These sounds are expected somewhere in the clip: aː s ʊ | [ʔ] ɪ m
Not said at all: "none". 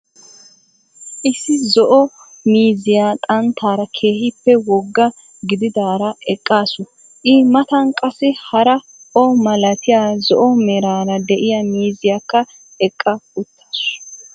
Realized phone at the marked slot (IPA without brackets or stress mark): ʔ